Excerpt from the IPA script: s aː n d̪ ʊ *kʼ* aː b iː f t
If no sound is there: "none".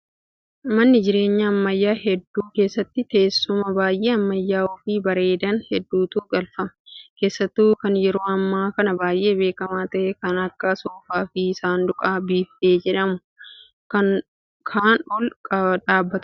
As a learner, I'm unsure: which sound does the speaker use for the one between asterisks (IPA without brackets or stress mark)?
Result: kʼ